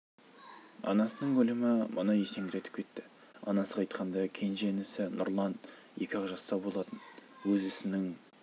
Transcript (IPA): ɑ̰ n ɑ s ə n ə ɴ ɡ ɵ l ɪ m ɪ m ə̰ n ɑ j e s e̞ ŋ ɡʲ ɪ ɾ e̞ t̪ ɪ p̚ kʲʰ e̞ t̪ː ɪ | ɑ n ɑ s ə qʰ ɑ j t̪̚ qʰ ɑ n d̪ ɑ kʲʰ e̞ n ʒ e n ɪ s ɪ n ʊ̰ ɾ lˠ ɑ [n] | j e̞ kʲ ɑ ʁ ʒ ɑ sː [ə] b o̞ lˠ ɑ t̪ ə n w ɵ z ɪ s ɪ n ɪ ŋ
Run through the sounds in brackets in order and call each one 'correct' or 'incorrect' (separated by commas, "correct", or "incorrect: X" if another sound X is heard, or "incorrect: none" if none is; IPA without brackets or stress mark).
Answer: correct, incorrect: ɑ